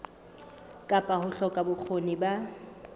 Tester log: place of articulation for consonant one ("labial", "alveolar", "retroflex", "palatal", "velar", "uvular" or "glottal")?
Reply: velar